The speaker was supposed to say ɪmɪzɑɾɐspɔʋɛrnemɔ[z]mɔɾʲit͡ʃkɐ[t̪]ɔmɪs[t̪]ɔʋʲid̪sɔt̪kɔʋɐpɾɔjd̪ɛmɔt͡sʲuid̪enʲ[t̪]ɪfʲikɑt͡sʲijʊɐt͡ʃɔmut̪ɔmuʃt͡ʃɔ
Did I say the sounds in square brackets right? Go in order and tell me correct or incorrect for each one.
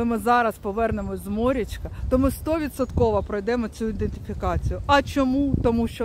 correct, correct, correct, correct

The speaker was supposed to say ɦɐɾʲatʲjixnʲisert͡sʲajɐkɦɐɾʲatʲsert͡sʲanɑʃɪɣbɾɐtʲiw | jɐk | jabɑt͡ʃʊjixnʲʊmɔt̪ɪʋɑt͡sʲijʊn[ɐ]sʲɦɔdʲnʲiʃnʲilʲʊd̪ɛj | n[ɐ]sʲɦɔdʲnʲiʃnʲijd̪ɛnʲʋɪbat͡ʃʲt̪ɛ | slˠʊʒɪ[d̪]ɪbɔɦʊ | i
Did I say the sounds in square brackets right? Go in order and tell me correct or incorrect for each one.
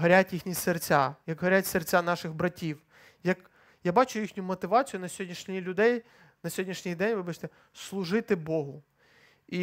correct, correct, incorrect

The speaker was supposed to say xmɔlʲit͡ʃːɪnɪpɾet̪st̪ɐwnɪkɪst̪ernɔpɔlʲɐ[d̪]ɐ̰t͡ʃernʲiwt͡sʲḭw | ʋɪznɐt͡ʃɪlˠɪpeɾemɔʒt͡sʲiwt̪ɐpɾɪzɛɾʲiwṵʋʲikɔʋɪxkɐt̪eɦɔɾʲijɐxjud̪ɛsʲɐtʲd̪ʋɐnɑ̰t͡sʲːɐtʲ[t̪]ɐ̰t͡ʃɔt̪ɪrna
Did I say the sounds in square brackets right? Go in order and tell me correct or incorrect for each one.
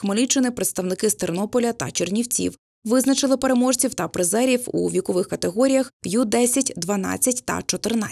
incorrect, correct

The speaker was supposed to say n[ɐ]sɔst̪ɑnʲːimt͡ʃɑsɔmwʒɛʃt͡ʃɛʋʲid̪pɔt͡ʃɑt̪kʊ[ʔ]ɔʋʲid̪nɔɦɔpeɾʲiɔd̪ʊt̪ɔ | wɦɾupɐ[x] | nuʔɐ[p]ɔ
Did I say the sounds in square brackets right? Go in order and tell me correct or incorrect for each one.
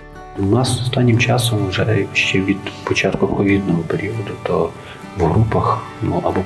incorrect, incorrect, correct, incorrect

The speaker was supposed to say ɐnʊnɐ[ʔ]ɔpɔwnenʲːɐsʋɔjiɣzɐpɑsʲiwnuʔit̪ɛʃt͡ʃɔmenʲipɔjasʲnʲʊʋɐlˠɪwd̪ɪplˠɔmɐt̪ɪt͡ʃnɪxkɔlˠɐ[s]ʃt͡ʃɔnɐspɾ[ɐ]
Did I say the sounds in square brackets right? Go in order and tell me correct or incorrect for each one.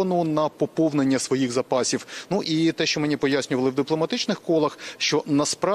incorrect, incorrect, incorrect

